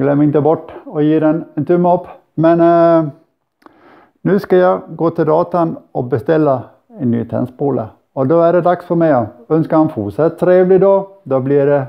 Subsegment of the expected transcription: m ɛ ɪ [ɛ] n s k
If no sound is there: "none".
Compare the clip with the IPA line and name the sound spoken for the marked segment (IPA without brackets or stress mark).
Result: œ